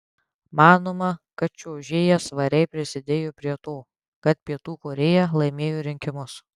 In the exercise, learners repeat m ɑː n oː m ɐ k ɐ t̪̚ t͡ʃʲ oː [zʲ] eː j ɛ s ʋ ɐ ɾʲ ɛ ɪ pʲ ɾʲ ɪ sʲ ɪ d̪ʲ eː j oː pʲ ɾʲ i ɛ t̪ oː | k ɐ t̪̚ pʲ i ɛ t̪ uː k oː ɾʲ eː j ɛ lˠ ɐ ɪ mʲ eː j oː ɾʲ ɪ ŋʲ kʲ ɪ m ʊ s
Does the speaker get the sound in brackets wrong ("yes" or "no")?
yes